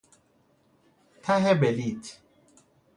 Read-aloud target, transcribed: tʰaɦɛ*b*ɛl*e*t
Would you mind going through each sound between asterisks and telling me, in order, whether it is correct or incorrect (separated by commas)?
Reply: correct, incorrect